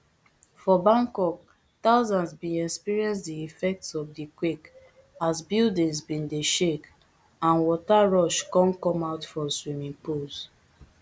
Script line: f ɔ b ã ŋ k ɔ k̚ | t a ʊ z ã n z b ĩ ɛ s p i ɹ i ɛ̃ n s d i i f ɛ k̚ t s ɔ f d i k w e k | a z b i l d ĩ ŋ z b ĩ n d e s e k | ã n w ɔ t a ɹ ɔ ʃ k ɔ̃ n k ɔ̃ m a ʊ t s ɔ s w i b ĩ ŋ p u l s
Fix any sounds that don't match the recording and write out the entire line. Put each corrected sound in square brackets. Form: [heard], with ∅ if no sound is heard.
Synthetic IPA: f ɔ b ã ŋ k ɔ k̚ | t a ʊ z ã n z b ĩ ɛ s p i ɹ i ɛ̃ n s d i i f ɛ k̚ t s ɔ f d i k w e k | a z b i l d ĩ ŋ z b ĩ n d e [ʃ] e k | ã n w ɔ t a ɹ ɔ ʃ k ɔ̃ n k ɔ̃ m a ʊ t [f] ɔ s w i [m] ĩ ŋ p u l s